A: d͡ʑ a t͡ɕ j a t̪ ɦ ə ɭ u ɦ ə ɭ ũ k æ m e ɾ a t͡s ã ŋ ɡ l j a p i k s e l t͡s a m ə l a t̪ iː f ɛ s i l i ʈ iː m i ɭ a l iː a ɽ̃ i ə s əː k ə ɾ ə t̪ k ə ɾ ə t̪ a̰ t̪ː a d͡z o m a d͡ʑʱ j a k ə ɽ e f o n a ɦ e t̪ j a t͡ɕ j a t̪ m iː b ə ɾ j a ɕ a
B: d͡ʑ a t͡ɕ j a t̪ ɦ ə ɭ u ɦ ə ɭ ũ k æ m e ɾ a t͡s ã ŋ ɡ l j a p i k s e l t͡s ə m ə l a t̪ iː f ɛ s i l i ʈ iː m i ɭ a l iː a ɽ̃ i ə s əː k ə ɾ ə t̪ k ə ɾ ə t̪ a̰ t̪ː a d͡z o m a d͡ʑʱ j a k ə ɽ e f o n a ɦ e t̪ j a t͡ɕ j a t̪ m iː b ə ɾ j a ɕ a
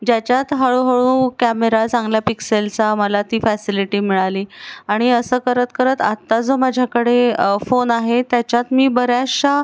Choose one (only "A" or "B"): A